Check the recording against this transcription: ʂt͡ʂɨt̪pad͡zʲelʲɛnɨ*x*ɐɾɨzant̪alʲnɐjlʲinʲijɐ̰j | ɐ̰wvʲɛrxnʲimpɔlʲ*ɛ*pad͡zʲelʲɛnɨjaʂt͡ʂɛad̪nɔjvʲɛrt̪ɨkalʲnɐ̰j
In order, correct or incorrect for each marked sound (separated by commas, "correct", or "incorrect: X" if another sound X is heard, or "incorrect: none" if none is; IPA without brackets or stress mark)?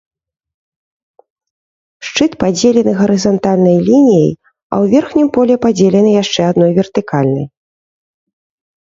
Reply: incorrect: ɣ, correct